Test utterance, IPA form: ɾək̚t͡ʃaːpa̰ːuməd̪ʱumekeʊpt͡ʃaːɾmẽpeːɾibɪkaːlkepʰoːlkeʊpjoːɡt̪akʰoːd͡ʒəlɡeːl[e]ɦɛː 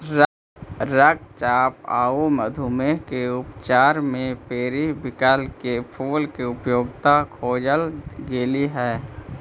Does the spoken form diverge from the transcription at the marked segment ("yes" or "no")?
yes